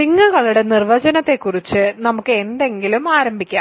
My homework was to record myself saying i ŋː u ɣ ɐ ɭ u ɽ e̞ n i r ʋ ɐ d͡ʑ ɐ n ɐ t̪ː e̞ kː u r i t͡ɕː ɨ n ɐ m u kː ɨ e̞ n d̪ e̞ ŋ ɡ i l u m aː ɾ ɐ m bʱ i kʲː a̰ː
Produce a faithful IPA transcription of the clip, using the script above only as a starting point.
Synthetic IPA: i ŋː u ɣ ɐ ɭ u ɽ e̞ n i r ʋ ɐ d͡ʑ ɐ n ɐ t̪ː e̞ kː u r i t͡ɕː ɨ n ɐ m u kː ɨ e̞ n d̪ e̞ ŋ ɡ i l u m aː ɾ ɐ m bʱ i kʲː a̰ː